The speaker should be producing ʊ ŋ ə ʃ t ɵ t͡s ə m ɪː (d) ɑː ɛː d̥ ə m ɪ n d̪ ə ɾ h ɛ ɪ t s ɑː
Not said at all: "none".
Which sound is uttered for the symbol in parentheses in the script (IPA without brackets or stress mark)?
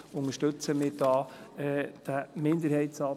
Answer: d